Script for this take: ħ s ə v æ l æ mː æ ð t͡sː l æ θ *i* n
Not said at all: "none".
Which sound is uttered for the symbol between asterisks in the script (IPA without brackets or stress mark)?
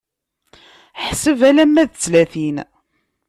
i